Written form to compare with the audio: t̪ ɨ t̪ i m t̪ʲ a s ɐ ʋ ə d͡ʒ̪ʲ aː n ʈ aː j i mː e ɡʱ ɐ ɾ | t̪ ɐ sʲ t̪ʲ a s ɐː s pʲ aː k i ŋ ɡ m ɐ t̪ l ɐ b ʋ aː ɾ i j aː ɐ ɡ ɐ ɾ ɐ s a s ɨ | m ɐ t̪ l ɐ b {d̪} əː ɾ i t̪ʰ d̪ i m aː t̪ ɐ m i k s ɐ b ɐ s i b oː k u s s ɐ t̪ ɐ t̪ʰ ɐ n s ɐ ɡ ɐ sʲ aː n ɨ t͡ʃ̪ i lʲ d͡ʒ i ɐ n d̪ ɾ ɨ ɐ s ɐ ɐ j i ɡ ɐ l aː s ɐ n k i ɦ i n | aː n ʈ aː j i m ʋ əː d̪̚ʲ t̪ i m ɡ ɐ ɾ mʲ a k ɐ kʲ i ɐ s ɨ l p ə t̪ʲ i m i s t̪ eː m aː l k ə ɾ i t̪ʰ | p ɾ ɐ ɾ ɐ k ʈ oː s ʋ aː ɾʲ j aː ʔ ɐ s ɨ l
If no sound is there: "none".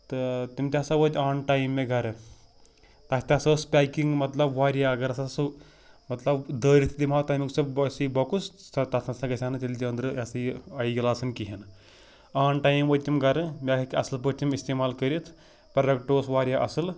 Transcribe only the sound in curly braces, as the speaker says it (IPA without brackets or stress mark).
d̪